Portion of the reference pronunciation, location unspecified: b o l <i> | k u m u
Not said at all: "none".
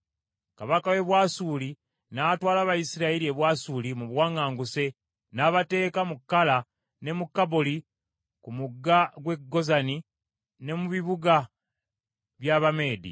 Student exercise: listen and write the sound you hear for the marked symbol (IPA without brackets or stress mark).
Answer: i